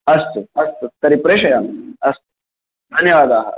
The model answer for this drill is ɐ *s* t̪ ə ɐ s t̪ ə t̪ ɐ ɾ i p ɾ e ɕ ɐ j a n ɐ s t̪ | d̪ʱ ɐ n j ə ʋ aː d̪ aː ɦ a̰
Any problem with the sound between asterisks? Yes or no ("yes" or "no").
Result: no